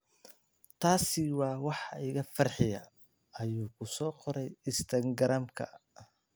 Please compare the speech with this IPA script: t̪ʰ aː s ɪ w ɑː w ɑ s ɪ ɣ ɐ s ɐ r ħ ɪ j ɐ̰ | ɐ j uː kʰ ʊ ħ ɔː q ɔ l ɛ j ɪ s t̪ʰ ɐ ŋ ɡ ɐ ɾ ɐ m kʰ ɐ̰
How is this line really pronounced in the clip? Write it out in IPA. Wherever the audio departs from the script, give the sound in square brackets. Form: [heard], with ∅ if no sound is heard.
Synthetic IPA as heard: t̪ʰ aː s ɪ w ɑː w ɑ [ħ] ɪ ɣ ɐ [f] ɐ r ħ ɪ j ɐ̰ | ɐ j uː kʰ ʊ [s] ɔː q ɔ [ɾ] ɛ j ɪ s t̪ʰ ɐ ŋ ɡ ɐ ɾ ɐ m kʰ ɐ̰